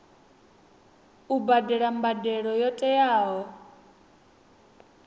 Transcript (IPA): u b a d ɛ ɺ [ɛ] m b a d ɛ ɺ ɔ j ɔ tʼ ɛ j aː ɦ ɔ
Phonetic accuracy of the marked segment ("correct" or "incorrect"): incorrect